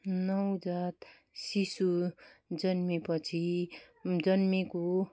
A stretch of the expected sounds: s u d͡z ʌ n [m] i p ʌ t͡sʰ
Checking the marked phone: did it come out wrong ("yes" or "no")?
no